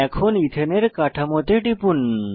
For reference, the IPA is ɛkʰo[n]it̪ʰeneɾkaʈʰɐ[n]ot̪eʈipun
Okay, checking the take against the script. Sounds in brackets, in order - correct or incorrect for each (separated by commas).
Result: correct, incorrect